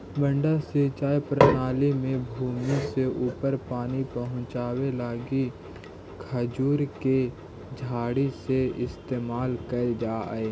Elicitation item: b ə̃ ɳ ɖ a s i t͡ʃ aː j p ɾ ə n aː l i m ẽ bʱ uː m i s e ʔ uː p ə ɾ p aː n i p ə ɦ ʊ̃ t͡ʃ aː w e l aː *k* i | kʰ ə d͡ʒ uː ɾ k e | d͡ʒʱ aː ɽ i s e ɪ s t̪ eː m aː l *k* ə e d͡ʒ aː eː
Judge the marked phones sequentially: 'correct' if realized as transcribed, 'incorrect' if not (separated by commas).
incorrect, correct